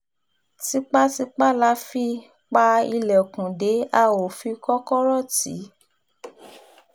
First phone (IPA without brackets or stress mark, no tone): t